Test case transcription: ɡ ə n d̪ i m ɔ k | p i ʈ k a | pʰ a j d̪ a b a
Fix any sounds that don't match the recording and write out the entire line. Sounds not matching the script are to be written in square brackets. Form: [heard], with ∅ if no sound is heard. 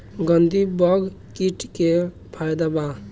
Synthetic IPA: ɡ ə n d̪ i [b] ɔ [ɡ] | [k] i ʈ k [e] | pʰ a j d̪ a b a